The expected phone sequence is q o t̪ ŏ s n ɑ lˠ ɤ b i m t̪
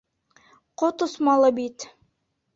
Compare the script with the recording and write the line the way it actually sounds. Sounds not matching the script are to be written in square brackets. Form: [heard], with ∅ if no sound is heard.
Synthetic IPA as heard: q o t̪ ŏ s [m] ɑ lˠ ɤ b i [∅] t̪